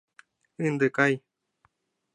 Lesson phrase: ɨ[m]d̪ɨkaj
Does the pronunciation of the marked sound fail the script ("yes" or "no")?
yes